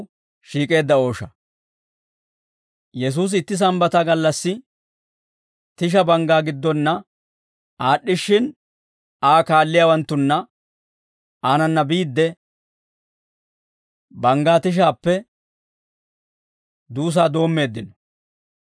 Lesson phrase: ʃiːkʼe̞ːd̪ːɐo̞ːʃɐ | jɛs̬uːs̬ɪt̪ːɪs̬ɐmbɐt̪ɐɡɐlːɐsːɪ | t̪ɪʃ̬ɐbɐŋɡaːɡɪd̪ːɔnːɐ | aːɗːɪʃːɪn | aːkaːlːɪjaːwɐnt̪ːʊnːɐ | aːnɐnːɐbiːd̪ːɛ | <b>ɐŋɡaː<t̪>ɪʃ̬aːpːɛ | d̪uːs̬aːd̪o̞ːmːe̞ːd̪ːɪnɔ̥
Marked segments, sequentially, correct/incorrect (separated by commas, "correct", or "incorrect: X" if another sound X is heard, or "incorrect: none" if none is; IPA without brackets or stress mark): correct, correct